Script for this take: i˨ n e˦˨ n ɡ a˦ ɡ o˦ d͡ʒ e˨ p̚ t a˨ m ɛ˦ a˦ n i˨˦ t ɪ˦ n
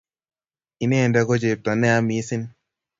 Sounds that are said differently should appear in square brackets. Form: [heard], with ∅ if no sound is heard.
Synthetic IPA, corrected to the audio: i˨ n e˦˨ n [d] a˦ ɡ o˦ d͡ʒ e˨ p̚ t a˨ [n] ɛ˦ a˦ [m] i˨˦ [s] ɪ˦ n